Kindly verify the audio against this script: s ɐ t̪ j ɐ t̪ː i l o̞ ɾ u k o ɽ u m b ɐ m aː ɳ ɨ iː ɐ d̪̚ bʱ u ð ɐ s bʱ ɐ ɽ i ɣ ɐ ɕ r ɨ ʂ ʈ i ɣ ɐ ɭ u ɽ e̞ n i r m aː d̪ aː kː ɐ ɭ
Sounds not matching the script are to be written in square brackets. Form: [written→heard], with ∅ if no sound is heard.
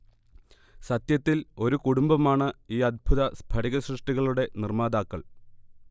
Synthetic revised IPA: s ɐ t̪ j ɐ t̪ː i l o̞ ɾ u k [o→u] ɽ u m b ɐ m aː ɳ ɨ iː ɐ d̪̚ bʱ u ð ɐ s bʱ ɐ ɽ i ɣ ɐ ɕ r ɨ ʂ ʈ i ɣ ɐ ɭ u ɽ e̞ n i r m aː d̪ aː kː ɐ ɭ